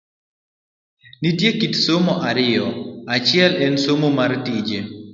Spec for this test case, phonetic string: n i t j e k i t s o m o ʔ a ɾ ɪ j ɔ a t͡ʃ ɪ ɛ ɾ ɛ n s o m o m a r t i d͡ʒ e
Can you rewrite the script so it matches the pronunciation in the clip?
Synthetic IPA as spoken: n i t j e k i t s o m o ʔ a ɾ ɪ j ɔ a t͡ʃ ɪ ɛ l ɛ n s o m o m a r t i d͡ʒ e